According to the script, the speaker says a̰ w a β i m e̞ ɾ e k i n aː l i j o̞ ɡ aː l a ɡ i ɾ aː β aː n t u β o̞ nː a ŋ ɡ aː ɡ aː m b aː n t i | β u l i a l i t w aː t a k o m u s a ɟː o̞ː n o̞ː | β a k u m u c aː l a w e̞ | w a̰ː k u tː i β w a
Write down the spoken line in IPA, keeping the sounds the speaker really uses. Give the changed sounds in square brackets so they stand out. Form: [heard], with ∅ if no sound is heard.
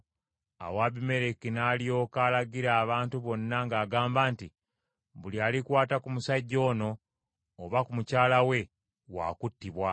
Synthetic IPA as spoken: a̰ w a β i m e̞ ɾ e k i n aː l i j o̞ [k] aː l a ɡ i ɾ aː β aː n t u β o̞ nː a ŋ ɡ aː ɡ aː m b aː n t i | β u l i a l i [k] w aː t a k [u] m u s a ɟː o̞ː n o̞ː | β a k u m u c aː l a w e̞ | w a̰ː k u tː i β w a